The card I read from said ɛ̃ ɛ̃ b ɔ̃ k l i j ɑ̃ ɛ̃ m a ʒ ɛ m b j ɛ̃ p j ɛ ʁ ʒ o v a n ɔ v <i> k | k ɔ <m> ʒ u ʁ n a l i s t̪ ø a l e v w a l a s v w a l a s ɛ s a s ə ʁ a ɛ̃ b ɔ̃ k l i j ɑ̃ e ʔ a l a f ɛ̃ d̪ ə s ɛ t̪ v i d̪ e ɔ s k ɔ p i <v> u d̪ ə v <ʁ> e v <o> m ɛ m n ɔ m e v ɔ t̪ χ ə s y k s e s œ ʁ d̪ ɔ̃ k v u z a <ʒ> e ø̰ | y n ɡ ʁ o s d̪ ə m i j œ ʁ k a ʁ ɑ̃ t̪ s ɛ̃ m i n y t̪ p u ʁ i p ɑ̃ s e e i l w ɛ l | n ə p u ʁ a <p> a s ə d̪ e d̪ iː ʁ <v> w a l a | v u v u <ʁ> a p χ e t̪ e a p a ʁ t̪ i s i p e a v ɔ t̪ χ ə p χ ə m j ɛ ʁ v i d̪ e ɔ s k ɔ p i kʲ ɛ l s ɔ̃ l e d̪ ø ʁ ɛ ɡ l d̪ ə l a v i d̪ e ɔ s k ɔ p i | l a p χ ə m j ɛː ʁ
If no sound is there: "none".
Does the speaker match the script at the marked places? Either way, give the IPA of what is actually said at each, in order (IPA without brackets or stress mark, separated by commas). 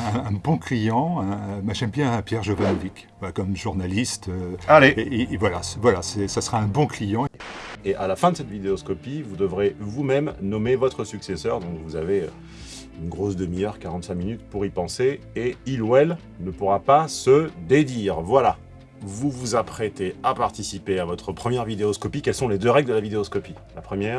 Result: i, m, v, ʁ, u, v, p, v, z